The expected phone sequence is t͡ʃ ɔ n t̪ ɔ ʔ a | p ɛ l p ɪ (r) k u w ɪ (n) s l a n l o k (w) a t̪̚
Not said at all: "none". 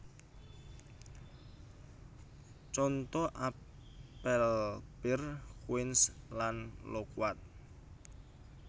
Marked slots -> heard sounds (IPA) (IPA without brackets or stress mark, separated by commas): r, n, w